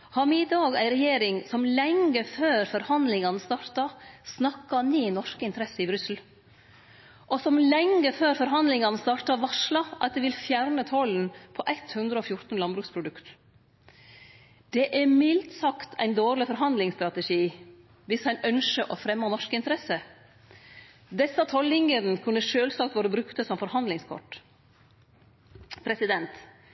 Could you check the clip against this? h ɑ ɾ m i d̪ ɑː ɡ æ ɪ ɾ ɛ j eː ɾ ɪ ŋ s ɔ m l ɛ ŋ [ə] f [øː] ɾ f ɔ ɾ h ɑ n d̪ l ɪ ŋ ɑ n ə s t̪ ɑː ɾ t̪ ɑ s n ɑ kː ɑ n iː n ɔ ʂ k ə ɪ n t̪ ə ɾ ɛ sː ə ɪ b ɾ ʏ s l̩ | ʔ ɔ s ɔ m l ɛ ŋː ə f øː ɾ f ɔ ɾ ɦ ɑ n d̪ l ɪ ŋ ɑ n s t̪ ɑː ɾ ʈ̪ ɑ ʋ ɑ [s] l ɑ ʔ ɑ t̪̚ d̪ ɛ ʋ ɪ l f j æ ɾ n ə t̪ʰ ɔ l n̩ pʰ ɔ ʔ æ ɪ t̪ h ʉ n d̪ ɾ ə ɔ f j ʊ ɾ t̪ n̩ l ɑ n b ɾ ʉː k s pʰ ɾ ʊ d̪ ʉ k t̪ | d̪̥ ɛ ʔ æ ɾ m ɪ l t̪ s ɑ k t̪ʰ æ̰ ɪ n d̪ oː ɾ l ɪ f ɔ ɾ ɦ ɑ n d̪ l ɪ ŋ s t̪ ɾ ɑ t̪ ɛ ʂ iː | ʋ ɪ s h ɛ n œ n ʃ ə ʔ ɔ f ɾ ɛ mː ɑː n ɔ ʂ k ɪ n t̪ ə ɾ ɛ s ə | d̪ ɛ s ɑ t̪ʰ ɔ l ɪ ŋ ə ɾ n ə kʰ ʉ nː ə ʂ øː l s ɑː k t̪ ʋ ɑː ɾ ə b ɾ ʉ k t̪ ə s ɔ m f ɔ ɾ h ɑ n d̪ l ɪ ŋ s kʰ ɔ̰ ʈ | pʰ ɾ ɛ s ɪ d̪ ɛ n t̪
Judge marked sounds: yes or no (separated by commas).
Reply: yes, yes, no